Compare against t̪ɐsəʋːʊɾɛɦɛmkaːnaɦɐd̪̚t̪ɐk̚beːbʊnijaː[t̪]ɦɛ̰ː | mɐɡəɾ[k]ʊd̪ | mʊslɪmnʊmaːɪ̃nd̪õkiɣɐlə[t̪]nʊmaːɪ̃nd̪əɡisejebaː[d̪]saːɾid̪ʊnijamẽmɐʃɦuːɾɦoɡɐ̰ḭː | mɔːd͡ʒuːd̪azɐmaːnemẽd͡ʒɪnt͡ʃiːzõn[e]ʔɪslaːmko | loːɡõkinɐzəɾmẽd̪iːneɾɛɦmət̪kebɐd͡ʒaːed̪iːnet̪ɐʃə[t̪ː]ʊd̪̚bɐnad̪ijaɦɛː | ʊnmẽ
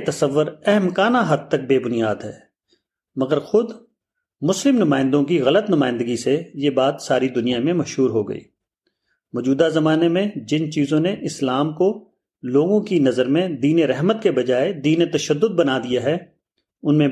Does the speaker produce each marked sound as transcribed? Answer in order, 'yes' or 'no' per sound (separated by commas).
no, no, yes, no, yes, no